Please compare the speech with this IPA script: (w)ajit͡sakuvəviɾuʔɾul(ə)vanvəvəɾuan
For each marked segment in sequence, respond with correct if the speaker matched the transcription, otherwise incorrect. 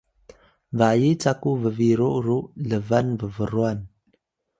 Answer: incorrect: v, correct

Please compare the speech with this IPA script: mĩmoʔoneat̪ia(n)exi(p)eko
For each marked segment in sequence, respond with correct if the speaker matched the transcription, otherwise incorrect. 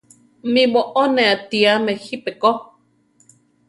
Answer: incorrect: m, correct

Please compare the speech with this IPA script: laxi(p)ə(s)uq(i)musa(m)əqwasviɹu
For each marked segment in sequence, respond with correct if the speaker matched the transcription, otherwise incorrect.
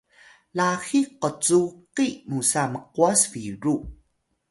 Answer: incorrect: q, incorrect: t͡s, correct, correct

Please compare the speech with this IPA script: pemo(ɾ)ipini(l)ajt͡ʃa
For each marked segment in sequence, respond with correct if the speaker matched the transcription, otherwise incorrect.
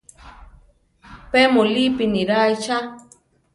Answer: incorrect: l, incorrect: ɾ

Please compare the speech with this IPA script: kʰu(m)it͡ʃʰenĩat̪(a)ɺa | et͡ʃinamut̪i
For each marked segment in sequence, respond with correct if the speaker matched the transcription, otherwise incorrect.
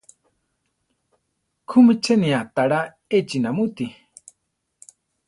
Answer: correct, correct

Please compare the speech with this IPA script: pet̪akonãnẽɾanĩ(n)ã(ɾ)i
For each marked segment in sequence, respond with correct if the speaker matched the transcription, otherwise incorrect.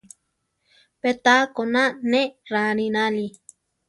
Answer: correct, incorrect: l

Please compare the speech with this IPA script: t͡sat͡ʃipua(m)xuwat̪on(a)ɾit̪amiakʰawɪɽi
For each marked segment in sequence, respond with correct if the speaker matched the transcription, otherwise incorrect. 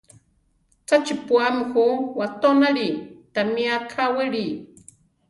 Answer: correct, correct

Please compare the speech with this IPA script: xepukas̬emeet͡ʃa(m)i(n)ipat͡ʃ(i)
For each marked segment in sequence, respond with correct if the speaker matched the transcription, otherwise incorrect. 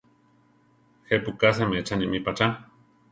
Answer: incorrect: n, incorrect: m, incorrect: a

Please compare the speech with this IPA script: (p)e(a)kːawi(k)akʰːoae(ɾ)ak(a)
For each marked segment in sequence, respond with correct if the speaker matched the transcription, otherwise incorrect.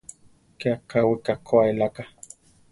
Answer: incorrect: k, correct, correct, incorrect: l, correct

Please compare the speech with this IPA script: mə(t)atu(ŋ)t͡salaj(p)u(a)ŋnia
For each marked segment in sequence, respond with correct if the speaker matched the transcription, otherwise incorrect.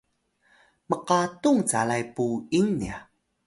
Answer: incorrect: q, correct, correct, incorrect: i

